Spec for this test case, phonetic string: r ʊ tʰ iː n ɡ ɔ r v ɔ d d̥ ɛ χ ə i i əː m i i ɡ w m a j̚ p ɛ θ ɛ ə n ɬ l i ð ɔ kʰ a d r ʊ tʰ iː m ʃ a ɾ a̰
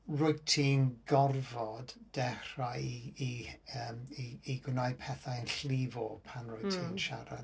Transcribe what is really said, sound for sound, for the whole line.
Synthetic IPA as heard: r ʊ tʰ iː n ɡ ɔ r v ɔ d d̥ ɛ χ a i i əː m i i ɡ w n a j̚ pʰ ɛ θ a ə n ɬ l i v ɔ pʰ a n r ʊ tʰ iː n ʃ a ɾ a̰